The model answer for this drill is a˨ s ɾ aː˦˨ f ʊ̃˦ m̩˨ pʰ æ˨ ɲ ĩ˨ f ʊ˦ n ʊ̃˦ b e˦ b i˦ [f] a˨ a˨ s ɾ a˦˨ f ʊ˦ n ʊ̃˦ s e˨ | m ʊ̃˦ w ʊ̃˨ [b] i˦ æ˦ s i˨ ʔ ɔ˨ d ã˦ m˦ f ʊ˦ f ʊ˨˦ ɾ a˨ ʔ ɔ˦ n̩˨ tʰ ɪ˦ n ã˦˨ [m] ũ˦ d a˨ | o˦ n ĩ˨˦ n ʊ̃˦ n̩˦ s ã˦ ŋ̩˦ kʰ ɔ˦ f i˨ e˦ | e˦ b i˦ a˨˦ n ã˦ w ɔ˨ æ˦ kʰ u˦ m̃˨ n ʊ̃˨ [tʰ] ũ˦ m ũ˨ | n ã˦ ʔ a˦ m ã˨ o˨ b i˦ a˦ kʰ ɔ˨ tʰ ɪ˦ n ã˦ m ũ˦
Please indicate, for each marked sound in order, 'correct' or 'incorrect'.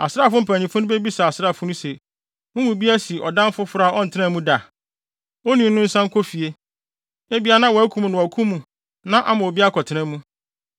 incorrect: s, correct, correct, incorrect: kʰ

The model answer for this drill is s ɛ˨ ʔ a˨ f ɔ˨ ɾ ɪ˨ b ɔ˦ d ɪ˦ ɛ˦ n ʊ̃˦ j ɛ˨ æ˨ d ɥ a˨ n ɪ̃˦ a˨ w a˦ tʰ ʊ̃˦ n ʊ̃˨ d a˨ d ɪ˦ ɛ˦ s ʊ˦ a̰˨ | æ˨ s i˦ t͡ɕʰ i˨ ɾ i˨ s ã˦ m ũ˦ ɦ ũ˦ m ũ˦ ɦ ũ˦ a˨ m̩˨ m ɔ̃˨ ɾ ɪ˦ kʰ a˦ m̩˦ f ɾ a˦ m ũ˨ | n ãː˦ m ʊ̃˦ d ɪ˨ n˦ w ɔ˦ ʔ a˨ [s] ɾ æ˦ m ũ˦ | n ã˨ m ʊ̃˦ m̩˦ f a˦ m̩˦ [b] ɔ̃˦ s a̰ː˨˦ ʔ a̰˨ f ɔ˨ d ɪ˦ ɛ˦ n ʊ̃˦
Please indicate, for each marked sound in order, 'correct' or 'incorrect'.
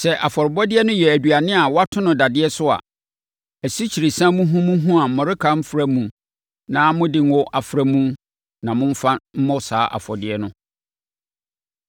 incorrect: f, incorrect: m

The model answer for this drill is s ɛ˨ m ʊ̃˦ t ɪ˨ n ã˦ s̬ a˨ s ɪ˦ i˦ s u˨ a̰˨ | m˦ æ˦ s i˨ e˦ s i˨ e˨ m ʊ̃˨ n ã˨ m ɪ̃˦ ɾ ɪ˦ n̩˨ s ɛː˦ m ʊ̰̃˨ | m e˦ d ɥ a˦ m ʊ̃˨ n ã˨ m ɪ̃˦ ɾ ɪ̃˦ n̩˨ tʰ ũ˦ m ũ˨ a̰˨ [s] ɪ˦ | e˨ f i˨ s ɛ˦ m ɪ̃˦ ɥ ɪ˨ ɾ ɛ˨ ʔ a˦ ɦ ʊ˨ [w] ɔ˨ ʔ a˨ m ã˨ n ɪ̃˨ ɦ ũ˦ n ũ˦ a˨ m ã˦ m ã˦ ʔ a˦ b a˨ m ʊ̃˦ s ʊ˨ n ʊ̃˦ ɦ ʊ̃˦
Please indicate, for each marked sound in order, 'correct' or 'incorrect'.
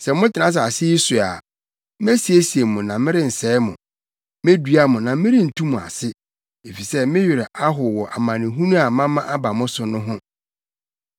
correct, correct

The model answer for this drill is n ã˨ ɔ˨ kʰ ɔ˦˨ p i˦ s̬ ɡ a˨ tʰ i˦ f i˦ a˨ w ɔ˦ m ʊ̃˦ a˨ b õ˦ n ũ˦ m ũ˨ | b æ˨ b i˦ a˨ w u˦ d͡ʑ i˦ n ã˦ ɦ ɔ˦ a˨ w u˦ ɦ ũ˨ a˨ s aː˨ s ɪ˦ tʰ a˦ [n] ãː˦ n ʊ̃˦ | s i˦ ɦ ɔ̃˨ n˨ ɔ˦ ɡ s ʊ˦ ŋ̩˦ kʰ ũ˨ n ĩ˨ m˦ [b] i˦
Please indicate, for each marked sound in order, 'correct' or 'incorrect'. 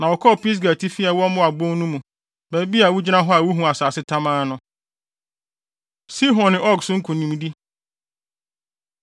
incorrect: m, incorrect: d

